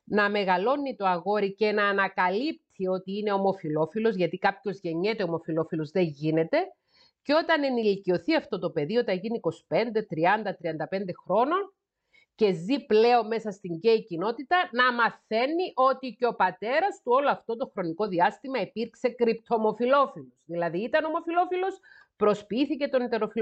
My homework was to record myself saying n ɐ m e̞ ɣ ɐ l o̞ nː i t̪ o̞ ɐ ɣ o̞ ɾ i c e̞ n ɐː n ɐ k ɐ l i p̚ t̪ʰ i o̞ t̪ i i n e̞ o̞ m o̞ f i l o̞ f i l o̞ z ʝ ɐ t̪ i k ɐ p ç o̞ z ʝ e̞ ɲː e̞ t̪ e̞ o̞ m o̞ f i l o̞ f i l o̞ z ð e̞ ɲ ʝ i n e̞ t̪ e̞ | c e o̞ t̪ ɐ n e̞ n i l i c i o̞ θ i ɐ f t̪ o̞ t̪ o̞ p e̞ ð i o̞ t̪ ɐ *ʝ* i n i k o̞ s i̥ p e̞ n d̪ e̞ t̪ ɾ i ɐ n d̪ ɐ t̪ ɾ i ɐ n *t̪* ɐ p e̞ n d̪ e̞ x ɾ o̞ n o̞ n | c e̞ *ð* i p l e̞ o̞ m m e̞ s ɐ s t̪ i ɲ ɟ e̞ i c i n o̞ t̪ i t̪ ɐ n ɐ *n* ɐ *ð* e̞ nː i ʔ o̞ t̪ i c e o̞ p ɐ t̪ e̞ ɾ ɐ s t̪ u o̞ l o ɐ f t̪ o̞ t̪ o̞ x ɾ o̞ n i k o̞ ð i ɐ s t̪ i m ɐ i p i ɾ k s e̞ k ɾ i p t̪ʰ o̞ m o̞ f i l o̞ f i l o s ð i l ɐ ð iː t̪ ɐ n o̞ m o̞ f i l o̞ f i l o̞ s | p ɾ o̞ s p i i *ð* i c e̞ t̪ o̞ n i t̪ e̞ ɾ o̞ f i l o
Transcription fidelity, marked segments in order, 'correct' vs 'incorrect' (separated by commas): correct, incorrect, incorrect, incorrect, incorrect, incorrect